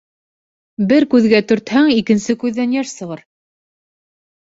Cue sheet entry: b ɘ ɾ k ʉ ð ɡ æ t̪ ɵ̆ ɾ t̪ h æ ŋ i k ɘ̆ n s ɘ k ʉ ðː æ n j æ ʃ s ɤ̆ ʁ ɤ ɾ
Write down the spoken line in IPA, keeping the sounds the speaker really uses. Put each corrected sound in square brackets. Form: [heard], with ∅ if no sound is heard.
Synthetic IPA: b ɘ ɾ k ʉ ð ɡ æ t̪ ɵ̆ ɾ t̪ h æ ŋ i k ɘ̆ n s ɘ k ʉ ðː æ n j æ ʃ s ɤ̆ ʁ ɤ ɾ